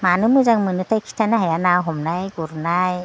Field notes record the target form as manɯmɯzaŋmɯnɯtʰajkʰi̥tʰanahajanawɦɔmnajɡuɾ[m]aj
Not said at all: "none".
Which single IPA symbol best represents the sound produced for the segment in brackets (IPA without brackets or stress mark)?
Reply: n